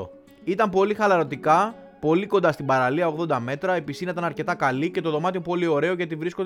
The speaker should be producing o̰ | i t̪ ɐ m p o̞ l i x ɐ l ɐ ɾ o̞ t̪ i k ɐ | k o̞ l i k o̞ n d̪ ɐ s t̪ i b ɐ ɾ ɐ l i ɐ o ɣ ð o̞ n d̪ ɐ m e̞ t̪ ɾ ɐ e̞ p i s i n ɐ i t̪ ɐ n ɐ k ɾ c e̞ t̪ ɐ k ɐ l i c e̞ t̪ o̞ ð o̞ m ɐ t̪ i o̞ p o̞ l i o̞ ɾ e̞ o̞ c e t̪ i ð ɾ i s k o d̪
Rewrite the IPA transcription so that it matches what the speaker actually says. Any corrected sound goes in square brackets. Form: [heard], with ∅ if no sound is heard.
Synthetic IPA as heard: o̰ | i t̪ ɐ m p o̞ l i x ɐ l ɐ ɾ o̞ t̪ i k ɐ | [p] o̞ l i k o̞ n d̪ ɐ s t̪ i b ɐ ɾ ɐ l i ɐ o ɣ ð o̞ n d̪ ɐ m e̞ t̪ ɾ ɐ e̞ p i s i n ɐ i t̪ ɐ n ɐ [∅] ɾ c e̞ t̪ ɐ k ɐ l i c e̞ t̪ o̞ ð o̞ m ɐ t̪ i o̞ p o̞ l i o̞ ɾ e̞ o̞ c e t̪ i [v] ɾ i s k o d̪